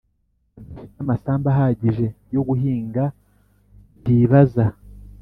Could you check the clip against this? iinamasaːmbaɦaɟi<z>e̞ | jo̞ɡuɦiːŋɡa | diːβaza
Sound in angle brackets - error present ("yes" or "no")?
yes